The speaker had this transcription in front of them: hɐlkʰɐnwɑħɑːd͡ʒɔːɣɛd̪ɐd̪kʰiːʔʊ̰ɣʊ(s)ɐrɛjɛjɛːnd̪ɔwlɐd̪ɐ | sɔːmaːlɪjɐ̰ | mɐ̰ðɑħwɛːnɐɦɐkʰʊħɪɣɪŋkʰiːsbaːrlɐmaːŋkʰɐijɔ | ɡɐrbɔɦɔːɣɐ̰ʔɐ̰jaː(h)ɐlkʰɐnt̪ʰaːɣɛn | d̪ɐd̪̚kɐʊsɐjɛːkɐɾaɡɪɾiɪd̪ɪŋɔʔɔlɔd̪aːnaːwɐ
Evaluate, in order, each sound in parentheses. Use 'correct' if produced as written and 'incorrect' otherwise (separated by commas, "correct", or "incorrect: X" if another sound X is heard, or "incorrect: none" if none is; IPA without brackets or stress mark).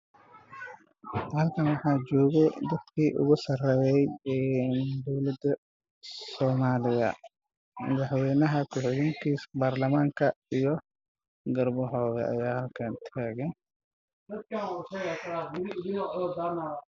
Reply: correct, correct